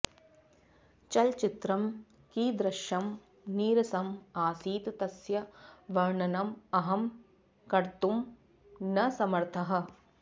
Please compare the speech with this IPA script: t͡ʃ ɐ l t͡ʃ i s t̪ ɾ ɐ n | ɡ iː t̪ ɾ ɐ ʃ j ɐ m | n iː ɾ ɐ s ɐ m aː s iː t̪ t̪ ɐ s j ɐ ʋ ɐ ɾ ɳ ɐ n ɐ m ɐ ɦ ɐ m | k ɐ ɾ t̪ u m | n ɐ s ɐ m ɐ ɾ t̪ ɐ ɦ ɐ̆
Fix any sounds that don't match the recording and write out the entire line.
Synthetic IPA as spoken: t͡ʃ ɐ l t͡ʃ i t̪ ɾ ɐ m | k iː d̪ ɾ ɐ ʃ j ɐ m | n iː ɾ ɐ s ɐ m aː s iː t̪ t̪ ɐ s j ɐ ʋ ɐ ɾ ɳ ɐ n ɐ m ɐ ɦ ɐ m | k ɐ ɾ t̪ u m | n ɐ s ɐ m ɐ ɾ t̪ʰ ɐ ɦ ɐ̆